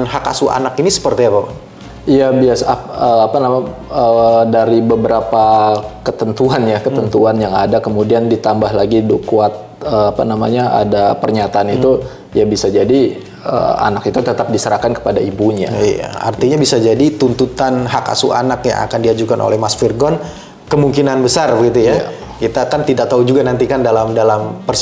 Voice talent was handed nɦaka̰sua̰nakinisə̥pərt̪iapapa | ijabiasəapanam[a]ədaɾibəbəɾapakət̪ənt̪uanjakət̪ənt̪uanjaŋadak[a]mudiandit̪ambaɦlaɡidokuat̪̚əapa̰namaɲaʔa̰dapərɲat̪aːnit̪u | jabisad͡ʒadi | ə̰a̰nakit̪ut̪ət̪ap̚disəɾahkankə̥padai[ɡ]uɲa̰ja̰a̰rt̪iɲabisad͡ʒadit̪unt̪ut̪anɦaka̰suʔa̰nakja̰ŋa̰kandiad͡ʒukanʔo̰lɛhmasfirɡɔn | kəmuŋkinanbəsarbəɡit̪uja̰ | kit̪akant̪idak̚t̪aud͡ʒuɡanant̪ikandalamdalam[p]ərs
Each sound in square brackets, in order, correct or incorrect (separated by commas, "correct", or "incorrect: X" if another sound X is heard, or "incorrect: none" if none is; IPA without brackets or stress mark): correct, incorrect: ə, incorrect: b, correct